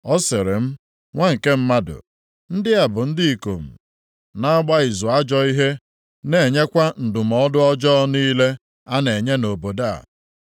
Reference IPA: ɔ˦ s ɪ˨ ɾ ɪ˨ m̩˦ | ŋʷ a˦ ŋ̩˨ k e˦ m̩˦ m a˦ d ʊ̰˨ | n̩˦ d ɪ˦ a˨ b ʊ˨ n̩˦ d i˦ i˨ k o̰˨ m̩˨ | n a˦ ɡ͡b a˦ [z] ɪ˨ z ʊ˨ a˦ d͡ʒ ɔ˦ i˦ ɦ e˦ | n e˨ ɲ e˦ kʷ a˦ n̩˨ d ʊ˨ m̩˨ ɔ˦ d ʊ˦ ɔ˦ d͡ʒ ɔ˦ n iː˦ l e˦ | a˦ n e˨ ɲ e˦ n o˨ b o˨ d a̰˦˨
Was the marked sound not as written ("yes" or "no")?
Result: yes